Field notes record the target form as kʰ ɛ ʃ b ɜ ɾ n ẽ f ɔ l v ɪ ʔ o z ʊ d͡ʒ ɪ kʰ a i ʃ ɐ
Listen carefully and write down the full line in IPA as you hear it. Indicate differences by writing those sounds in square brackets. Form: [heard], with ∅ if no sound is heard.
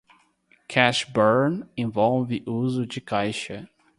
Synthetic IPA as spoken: kʰ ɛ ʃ b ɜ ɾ n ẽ [v] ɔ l v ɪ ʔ [u] z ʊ d͡ʒ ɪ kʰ a [j] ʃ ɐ